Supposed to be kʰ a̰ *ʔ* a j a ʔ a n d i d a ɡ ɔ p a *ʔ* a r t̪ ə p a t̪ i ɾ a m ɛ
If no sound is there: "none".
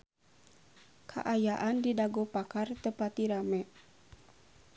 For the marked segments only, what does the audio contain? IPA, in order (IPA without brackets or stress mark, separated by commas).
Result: ʔ, k